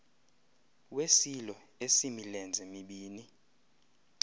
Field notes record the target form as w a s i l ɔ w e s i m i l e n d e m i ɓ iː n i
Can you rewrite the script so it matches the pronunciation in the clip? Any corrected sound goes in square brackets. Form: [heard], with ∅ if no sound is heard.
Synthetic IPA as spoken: w [e] s i l ɔ [∅] e s i m i l [ɛ] n [d͡zʱ] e m i ɓ iː n i